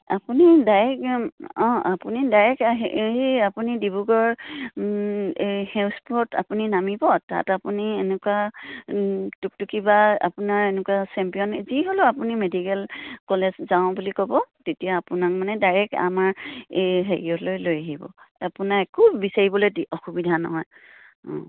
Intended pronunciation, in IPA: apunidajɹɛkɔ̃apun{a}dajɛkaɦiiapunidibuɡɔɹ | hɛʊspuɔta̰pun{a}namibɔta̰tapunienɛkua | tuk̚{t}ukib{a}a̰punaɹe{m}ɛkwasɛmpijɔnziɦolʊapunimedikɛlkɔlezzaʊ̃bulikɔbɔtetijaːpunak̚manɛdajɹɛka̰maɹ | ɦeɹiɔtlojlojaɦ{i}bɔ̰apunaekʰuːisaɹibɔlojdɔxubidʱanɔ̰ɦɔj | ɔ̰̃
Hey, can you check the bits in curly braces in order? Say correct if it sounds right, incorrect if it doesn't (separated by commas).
incorrect, incorrect, correct, correct, incorrect, correct